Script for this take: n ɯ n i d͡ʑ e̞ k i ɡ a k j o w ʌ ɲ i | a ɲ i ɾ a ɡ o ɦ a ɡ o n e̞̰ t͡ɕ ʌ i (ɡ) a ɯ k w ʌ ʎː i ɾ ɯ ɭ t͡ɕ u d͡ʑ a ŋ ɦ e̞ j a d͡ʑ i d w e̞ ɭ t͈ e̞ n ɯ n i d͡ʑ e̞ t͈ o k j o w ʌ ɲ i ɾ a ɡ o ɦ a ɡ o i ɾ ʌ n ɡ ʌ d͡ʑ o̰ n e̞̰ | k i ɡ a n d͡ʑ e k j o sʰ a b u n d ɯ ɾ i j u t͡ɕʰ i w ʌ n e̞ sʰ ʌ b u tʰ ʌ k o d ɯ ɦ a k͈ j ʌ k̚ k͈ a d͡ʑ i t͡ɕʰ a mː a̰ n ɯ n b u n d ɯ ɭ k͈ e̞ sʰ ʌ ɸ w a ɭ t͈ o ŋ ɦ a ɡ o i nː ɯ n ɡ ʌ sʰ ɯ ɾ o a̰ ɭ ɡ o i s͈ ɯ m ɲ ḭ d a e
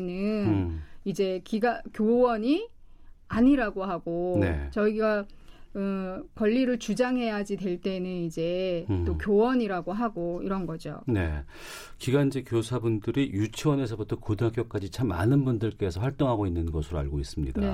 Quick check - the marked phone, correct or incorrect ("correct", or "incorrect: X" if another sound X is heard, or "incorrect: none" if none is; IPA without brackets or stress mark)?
correct